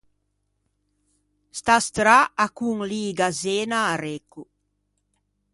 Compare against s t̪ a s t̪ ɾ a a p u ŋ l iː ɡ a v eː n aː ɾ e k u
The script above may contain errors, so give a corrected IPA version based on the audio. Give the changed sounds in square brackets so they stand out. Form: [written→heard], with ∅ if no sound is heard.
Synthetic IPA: s t̪ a s t̪ ɾ a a [p→k] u ŋ l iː ɡ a [v→z] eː n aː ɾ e k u